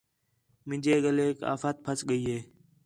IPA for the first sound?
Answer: m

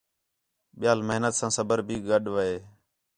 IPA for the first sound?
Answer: ɓ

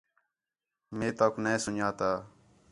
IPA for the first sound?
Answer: m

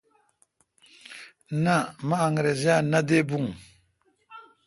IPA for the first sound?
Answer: n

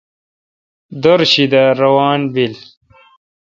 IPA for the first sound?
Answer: d̪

